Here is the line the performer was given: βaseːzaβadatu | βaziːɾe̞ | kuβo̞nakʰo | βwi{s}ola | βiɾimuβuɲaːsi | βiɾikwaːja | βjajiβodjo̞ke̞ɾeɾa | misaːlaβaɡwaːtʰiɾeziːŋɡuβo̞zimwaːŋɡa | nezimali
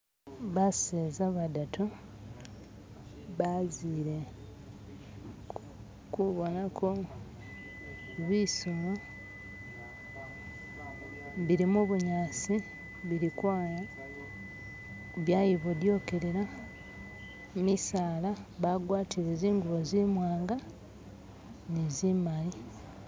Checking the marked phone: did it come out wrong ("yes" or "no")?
no